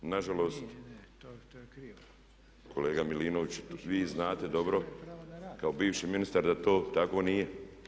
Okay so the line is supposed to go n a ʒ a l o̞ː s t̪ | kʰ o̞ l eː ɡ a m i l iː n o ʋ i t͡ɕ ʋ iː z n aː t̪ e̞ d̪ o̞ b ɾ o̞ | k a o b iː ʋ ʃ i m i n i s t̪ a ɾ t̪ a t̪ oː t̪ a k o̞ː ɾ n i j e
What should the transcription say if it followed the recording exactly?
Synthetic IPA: n a ʒ a l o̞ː s t̪ | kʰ o̞ l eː ɡ a m i l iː n o ʋ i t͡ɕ ʋ iː z n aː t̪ e̞ d̪ o̞ b ɾ o̞ | k a o b iː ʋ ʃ i m i n i s t̪ a ɾ d̪ a t̪ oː t̪ a k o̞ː n i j e